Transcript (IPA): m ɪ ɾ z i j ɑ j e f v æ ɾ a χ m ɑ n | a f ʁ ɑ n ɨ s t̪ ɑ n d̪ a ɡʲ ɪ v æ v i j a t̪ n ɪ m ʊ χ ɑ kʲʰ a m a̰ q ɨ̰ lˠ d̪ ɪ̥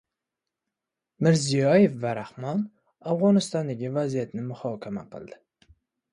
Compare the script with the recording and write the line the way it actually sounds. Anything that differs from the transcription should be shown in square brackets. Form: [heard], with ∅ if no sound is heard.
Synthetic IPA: m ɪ ɾ z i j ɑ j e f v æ ɾ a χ m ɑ n | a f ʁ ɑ n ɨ s t̪ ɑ n d̪ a ɡʲ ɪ v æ [z] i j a t̪ n ɪ m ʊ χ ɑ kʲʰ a m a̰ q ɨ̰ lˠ d̪ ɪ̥